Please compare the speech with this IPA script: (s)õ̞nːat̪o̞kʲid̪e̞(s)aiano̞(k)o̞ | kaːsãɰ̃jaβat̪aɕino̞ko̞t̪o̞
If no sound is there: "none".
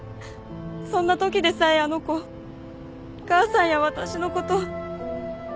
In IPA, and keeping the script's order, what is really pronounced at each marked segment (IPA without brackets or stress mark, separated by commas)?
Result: s, s, k